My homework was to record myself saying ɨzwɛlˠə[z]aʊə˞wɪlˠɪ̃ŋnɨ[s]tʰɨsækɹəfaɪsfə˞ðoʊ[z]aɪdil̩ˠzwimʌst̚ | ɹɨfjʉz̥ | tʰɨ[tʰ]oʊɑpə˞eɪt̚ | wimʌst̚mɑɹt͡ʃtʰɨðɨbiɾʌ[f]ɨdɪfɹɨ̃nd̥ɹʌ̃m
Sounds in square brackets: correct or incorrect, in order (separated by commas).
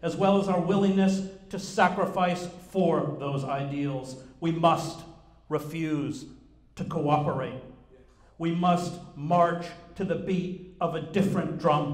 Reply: correct, correct, correct, incorrect, incorrect